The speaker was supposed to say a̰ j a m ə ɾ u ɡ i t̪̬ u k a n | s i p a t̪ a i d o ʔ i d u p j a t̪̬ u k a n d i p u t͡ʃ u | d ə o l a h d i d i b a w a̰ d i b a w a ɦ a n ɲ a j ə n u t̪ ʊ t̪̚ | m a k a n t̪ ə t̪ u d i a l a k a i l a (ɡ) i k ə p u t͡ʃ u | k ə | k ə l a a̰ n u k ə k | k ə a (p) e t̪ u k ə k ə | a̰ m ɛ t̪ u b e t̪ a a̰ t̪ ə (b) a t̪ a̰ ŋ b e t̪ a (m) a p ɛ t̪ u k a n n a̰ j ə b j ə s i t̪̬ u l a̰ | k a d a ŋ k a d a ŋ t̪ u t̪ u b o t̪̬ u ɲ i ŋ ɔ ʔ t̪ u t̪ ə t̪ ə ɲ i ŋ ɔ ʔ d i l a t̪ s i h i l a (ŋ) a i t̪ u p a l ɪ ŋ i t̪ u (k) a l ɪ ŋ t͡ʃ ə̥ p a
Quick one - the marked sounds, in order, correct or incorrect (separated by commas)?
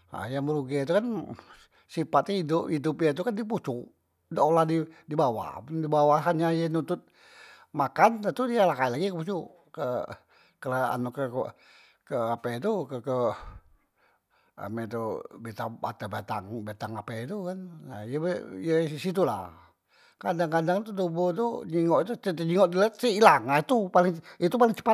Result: correct, correct, correct, incorrect, correct, incorrect